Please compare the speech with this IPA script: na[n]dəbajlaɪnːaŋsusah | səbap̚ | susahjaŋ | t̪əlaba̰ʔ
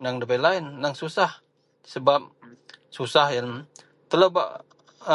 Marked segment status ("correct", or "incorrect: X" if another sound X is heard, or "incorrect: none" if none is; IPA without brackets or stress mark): incorrect: ŋ